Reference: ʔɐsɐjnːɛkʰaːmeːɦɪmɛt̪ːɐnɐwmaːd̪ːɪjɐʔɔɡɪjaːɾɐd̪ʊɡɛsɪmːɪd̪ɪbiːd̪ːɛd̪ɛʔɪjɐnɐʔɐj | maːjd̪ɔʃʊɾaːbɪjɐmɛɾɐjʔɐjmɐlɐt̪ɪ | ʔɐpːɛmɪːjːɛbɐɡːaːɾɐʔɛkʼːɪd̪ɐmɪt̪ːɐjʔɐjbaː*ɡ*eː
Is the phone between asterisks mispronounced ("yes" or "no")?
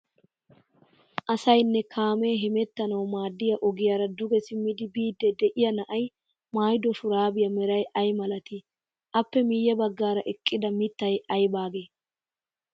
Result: no